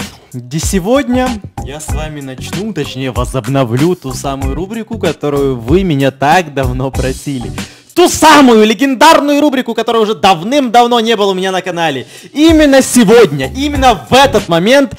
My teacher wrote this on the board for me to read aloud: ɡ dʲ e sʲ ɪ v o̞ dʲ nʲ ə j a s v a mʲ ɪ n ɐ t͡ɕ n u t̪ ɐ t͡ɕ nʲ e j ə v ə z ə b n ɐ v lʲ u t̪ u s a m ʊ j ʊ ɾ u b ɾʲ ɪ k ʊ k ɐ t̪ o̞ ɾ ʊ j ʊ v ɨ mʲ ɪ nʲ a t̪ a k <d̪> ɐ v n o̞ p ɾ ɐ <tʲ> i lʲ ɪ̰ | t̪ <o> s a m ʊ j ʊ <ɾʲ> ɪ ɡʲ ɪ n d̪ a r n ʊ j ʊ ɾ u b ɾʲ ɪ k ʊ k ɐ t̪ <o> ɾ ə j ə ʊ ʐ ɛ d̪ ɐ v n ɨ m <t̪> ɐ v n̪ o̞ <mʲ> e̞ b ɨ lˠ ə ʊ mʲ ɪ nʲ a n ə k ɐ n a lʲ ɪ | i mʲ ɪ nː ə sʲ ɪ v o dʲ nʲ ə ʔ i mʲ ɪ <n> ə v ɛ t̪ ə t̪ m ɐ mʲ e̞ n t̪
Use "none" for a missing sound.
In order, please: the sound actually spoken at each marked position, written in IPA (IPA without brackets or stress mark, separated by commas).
d̪, sʲ, u, lʲ, o, d̪, nʲ, nː